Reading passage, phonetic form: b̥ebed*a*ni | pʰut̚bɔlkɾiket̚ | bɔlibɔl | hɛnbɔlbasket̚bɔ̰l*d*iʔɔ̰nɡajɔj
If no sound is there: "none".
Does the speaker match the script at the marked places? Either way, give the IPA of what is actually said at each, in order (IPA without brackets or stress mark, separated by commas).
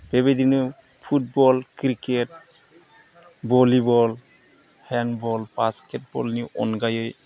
i, n